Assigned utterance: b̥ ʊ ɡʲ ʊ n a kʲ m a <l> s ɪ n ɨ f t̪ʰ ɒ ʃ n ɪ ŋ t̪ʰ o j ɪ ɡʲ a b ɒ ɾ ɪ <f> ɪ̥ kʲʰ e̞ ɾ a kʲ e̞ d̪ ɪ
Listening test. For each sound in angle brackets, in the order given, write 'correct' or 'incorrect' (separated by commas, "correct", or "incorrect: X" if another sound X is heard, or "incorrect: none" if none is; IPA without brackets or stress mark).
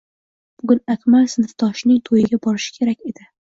correct, incorrect: ʃ